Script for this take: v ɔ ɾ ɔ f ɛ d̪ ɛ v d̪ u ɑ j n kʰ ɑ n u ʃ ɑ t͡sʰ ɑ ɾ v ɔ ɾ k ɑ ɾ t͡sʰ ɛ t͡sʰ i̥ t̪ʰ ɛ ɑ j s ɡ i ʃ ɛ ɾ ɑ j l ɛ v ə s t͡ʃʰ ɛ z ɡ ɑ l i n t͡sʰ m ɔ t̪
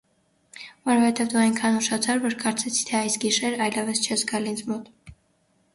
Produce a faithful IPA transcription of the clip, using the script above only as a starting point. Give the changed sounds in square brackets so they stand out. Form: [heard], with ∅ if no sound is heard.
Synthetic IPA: v ɔ ɾ ɔ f ɛ [t̪] ɛ v d̪ u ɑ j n kʰ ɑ n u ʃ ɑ t͡sʰ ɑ ɾ v ɔ ɾ k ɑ ɾ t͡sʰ ɛ t͡sʰ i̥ t̪ʰ ɛ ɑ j s ɡ i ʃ ɛ ɾ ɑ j l ɛ v ə s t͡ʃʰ ɛ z ɡ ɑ l i n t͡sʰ m ɔ t̪